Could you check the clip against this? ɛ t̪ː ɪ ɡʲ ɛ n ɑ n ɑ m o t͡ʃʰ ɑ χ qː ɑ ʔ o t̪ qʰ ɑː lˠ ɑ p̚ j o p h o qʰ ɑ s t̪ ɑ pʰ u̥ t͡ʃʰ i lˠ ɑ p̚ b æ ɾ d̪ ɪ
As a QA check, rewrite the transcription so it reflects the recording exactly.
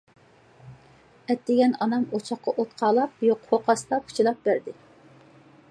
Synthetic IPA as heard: ɛ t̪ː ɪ ɡʲ ɛ n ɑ n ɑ m o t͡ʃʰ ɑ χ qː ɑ ʔ o t̪ qʰ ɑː lˠ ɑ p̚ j o q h o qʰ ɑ s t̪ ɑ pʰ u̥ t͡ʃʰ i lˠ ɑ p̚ b æ ɾ d̪ ɪ

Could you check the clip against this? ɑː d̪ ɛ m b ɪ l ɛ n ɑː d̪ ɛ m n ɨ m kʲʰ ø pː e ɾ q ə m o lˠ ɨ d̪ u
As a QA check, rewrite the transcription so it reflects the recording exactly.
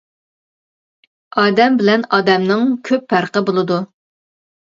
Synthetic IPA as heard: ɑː d̪ ɛ m b ɪ l ɛ n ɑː d̪ ɛ m n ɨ ŋ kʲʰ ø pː æ ɾ q ə b o lˠ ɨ d̪ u

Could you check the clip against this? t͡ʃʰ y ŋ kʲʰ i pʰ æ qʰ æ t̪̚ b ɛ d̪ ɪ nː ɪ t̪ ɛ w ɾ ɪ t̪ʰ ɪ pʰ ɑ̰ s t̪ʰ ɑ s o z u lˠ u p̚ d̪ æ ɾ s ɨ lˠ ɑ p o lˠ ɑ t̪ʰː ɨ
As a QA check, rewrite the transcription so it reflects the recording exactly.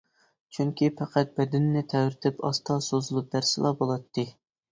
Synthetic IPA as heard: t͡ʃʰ y ŋ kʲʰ i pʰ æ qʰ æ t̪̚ b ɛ d̪ ɪ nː ɪ t̪ʰ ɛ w ɾ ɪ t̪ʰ ɪ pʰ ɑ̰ s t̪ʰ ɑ s o z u lˠ u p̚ d̪ æ ɾ s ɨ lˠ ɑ b o lˠ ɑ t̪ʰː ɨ

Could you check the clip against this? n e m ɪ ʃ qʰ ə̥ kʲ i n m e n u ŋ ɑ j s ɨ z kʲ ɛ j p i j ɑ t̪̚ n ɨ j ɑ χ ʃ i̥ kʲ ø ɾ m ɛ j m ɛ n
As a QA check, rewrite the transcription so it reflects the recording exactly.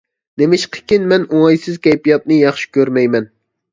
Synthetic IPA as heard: n e m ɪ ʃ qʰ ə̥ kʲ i n m ɛ n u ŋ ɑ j s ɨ z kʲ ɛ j p i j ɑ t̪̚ n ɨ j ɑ χ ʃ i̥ kʲ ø ɾ m ɛ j m ɛ n

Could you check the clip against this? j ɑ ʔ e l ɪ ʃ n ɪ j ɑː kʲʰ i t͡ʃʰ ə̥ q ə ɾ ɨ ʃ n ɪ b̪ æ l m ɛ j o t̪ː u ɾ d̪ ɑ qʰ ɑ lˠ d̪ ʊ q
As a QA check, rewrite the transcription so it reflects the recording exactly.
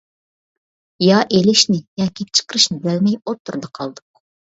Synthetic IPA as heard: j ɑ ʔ e l ɪ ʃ n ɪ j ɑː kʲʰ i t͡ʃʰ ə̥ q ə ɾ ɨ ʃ n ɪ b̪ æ l m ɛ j o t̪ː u ɾ d̪ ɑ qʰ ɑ lˠ d̪ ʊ q

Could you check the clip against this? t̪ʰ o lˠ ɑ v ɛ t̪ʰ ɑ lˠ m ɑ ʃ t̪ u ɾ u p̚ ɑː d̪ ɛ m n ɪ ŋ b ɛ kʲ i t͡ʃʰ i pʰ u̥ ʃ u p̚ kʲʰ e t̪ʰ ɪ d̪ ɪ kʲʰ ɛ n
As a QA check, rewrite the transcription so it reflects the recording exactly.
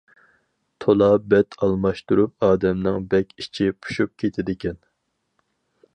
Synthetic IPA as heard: t̪ʰ o lˠ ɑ b ɛ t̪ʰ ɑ lˠ m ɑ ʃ t̪ u ɾ u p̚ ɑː d̪ ɛ m n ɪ ŋ b ɛ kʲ i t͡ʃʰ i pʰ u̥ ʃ u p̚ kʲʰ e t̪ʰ ɪ d̪ ɪ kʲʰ ɛ n

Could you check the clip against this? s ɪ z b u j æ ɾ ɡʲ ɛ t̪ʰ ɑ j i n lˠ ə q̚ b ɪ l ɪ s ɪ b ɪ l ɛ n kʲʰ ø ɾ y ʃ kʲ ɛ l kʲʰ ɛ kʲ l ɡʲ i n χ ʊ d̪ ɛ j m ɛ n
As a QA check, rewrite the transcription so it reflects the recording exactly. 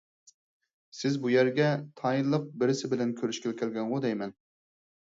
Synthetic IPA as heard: s ɪ z b u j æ ɾ ɡʲ ɛ t̪ʰ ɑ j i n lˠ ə q̚ b ɪ ɾ ɪ s ɪ b ɪ l ɛ n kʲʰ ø ɾ y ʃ kʲ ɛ l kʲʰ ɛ l ɡʲ ɛ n ʁ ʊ d̪ ɛ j m ɛ n

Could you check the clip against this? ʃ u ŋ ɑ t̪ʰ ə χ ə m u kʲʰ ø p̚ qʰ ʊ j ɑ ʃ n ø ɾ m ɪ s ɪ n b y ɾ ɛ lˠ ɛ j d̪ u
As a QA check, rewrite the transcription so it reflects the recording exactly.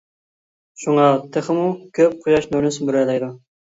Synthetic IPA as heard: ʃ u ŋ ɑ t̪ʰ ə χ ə m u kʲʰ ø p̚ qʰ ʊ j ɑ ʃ n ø ɾ n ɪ s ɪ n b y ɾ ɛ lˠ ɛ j d̪ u

